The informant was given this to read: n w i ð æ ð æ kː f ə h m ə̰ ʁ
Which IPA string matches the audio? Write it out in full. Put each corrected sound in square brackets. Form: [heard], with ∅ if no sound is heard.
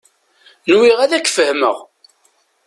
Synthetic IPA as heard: n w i [ʁ] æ ð æ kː f ə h m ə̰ ʁ